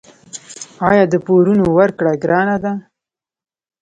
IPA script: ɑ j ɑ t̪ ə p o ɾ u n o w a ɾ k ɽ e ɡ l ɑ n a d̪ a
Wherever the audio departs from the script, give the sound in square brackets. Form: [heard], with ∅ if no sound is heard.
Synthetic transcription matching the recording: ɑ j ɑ [d̪] ə p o ɾ u n o w a ɾ k ɽ [a] ɡ [ɾ] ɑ n a d̪ a